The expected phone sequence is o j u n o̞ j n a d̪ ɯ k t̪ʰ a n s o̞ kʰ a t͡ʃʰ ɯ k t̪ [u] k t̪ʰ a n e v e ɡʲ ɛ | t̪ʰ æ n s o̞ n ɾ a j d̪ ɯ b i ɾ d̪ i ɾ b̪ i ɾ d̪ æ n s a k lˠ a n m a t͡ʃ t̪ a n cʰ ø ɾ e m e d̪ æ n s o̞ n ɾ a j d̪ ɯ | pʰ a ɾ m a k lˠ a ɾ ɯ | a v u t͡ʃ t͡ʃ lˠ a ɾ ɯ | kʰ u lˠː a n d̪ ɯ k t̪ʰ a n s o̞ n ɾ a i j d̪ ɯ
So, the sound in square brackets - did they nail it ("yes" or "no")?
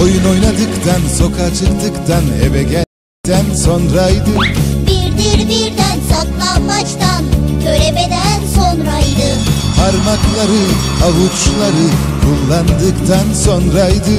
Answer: no